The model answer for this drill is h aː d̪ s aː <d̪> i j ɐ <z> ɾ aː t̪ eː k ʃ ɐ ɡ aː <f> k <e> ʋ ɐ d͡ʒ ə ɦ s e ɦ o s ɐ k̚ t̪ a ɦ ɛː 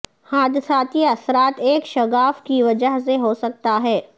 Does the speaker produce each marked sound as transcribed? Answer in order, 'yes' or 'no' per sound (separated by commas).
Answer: no, no, yes, no